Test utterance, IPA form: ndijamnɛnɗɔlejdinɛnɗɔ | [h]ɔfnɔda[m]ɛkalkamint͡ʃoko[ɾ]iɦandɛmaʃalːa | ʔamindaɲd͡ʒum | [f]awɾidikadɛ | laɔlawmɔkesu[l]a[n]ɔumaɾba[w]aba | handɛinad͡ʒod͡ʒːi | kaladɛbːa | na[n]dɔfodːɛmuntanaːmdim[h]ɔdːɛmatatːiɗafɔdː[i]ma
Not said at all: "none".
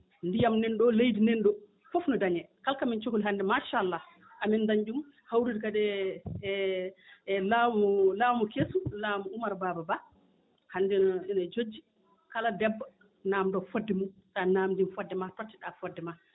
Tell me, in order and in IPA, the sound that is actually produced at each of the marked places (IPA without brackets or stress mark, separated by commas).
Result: f, ɲ, l, h, l, m, b, m, f, ɛ